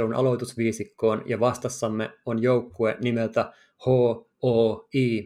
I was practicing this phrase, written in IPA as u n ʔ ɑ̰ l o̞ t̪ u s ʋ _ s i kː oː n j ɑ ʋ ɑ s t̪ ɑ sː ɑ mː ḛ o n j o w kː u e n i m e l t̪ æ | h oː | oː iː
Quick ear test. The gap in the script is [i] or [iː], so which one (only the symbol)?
iː